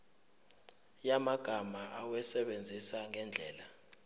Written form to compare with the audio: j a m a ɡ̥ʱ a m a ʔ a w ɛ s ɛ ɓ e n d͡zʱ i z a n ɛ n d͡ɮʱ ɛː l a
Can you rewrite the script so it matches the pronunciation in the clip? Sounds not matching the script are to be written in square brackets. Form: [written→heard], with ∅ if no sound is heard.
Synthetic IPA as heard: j a m a ɡ̥ʱ a m a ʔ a w ɛ s ɛ ɓ e n d͡zʱ i [z→s] a [n→ŋ] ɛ n d͡ɮʱ ɛː l a

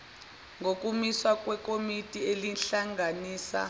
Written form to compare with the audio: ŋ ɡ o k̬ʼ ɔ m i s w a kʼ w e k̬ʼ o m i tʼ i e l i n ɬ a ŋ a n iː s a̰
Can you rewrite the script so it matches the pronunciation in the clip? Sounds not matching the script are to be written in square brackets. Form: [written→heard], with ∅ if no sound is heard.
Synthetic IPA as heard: ŋ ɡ o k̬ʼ [ɔ→u] m i s w a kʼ w [e→ɛ] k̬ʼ o m i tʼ i e l i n ɬ a ŋ a n iː s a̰

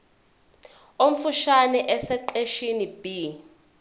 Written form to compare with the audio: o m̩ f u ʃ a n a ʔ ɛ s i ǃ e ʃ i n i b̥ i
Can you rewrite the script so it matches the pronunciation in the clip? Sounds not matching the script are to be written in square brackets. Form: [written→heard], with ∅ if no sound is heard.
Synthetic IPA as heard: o m̩ f u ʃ a n [a→ɛ] ʔ ɛ s [i→ɛ] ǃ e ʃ i n i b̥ i

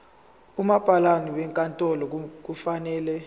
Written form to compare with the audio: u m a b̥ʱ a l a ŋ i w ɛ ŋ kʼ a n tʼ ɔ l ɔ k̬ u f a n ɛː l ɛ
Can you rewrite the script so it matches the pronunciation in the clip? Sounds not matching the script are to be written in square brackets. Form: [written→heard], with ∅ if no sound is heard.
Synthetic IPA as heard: u m a b̥ʱ a l a [ŋ→n] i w ɛ ŋ kʼ a n tʼ ɔ l ɔ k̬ u f a n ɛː l ɛ

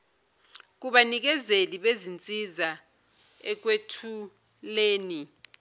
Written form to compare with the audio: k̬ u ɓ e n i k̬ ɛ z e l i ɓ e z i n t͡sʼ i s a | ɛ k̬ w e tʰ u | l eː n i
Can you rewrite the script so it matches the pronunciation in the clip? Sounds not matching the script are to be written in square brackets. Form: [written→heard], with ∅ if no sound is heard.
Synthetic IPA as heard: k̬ u ɓ [e→a] n i k̬ ɛ z e l i ɓ e z i n t͡sʼ i [s→z] a | ɛ k̬ w e tʰ u | l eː n i

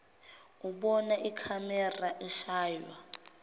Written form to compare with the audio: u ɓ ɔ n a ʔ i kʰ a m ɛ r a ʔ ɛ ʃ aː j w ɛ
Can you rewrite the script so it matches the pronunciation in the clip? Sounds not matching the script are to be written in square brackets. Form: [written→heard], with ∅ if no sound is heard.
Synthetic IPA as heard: u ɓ ɔ n a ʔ i kʰ a m ɛ r a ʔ ɛ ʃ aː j w [ɛ→a]

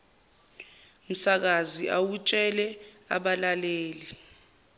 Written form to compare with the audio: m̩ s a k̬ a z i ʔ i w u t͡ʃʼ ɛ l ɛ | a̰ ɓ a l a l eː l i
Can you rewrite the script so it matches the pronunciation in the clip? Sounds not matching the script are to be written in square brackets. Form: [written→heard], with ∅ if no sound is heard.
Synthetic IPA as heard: m̩ s a k̬ a z i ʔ [i→a] w u t͡ʃʼ ɛ l ɛ | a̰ ɓ a l a l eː l i

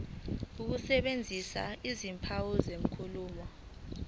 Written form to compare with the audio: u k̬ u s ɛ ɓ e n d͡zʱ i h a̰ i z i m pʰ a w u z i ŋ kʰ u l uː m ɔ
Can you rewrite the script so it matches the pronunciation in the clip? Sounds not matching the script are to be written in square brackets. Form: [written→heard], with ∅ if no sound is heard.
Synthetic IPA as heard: u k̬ u s ɛ ɓ e n d͡zʱ i [h→s] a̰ i z i m pʰ a w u z [i→e] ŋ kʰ u l uː m ɔ

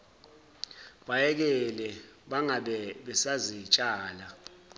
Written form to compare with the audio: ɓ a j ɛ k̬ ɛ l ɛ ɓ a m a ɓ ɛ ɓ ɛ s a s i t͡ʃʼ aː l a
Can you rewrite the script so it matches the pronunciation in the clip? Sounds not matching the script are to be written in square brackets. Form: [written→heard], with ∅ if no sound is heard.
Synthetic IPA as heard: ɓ a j ɛ k̬ ɛ l ɛ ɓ a [m→ŋ] a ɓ ɛ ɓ ɛ s a [s→z] i t͡ʃʼ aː l a

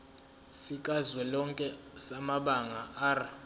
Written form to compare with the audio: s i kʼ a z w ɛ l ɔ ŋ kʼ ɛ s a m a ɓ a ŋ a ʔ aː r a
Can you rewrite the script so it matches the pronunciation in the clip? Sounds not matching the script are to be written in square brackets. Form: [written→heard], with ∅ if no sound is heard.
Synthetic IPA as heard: s i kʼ a z w ɛ l ɔ ŋ kʼ ɛ s a m a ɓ a ŋ a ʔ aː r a

